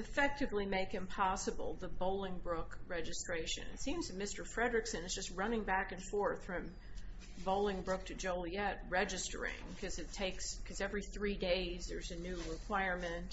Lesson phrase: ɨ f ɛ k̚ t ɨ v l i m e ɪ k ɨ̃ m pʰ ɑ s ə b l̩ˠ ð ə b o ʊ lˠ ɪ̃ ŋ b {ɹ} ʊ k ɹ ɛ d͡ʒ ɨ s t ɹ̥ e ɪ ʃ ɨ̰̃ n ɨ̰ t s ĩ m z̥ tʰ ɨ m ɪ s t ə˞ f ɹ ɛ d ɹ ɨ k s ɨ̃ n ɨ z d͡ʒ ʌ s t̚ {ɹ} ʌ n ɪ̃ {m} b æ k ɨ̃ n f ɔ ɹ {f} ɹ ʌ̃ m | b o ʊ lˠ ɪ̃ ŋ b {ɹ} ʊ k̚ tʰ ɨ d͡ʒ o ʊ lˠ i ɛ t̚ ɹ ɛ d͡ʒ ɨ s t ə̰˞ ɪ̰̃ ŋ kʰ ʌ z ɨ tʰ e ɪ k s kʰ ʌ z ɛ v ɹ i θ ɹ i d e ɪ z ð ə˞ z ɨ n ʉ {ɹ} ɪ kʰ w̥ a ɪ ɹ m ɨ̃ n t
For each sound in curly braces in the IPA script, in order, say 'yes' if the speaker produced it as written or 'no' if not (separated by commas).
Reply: yes, yes, no, no, yes, yes